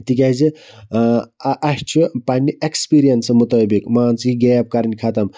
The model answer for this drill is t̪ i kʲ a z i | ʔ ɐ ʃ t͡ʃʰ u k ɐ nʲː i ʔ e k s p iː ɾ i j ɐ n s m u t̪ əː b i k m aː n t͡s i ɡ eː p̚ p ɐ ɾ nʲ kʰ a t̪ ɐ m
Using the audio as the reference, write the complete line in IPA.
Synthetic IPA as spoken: t̪ i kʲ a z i | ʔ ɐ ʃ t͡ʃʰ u p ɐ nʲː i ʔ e k s p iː ɾ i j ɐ n s m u t̪ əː b i k m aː n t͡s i ɡ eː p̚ k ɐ ɾ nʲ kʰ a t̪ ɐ m